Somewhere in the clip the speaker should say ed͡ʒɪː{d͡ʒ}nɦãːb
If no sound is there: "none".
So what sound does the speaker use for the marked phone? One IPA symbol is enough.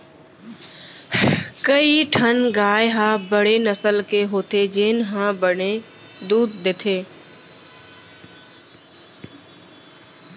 none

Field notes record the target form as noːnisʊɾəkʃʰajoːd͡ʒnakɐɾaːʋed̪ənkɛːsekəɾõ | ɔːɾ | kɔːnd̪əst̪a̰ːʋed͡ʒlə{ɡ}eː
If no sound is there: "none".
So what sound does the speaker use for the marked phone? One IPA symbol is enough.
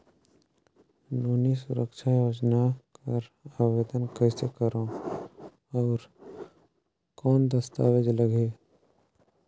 ɡ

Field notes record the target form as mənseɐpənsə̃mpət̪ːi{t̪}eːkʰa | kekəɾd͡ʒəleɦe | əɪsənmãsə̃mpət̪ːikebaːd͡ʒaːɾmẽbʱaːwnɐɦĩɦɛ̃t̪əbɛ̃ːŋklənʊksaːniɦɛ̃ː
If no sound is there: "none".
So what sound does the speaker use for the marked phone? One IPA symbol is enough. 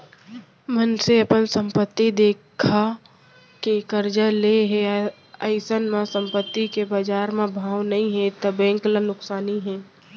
d̪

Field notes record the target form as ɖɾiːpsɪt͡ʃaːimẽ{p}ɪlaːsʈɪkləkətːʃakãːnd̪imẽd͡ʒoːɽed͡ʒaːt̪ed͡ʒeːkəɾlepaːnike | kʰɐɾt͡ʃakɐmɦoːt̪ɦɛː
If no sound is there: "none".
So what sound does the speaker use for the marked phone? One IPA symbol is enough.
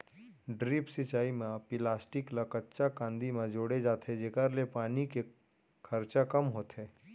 p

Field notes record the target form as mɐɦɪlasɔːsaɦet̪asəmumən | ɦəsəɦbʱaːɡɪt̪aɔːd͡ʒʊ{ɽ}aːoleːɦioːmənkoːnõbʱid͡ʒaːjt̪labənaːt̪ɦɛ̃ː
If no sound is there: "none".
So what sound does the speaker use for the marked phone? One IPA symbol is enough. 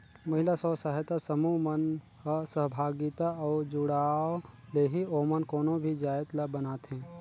ɽ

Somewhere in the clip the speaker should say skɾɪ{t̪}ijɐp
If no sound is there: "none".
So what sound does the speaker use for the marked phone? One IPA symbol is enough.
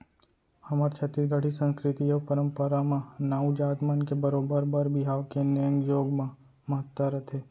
t̪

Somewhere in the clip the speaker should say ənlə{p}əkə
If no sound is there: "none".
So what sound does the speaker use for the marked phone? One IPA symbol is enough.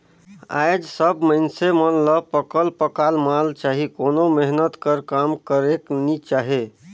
p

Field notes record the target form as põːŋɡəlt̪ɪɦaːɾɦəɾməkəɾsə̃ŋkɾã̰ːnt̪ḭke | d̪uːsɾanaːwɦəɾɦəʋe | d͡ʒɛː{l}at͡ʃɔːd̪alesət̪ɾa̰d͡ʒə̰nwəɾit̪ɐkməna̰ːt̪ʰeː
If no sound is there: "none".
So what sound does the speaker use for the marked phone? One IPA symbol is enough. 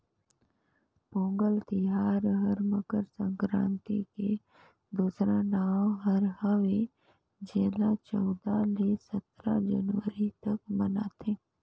l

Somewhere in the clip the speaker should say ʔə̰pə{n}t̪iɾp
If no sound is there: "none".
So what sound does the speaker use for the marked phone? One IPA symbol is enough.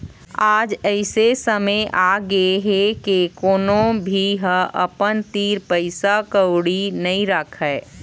n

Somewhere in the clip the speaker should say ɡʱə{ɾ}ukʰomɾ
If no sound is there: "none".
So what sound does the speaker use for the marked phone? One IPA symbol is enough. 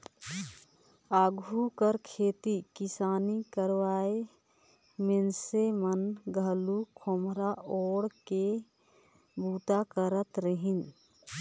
l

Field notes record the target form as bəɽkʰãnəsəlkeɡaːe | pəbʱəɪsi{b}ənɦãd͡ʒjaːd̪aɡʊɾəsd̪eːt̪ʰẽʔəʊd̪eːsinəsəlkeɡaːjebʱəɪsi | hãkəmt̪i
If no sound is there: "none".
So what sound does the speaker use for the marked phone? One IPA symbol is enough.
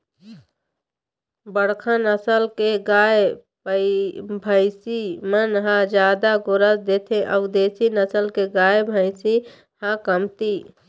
m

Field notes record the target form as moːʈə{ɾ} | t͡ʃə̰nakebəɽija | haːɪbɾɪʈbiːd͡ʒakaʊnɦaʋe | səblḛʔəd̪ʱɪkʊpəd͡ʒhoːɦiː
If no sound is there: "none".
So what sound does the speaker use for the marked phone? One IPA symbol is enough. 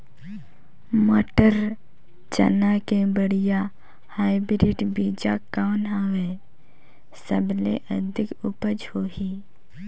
ɾ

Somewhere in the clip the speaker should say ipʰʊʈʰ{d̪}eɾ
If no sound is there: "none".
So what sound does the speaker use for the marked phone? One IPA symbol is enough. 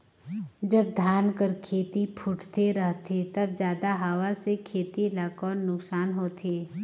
t̪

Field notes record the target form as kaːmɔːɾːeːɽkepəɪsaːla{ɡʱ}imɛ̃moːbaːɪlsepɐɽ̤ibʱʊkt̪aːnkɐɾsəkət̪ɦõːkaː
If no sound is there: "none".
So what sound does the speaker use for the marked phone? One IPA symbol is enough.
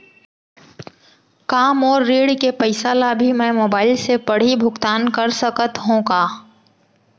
bʱ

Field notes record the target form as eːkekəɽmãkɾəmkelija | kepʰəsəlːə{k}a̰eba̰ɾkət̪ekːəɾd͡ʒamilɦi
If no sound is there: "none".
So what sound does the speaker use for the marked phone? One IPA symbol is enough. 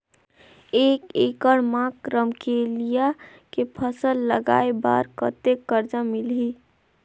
ɡ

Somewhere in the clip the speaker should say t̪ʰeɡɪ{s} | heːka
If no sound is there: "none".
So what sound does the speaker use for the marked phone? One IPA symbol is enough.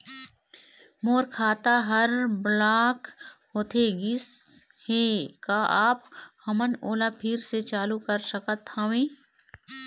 s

